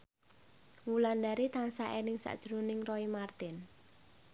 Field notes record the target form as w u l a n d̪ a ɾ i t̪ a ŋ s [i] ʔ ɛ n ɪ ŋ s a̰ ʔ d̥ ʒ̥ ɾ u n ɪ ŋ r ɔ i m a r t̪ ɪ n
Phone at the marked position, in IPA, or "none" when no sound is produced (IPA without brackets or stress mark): a